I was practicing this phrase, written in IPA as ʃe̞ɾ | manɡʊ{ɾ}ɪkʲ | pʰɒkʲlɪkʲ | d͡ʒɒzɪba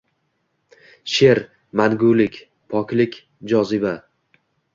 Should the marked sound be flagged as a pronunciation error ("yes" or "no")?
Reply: yes